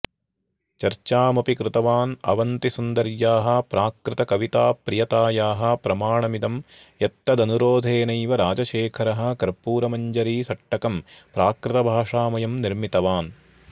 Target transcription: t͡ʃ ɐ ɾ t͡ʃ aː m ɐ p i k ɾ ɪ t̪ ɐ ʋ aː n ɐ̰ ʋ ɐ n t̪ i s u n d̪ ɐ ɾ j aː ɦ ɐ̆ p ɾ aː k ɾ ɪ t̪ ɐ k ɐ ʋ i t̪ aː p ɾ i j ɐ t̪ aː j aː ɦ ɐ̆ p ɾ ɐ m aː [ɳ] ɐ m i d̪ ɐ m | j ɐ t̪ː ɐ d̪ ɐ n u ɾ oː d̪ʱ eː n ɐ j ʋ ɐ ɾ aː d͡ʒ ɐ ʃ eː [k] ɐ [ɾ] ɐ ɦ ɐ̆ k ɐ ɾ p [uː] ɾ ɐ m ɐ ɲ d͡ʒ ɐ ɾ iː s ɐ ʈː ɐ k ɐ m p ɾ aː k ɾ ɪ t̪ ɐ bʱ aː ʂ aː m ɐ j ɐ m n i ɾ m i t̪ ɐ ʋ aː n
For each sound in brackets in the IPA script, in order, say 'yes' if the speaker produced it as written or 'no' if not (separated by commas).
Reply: yes, no, yes, yes